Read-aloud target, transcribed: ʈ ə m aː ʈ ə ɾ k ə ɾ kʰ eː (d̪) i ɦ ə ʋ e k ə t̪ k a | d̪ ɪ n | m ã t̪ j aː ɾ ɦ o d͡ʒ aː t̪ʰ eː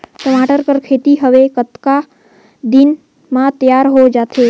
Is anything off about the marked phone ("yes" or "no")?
yes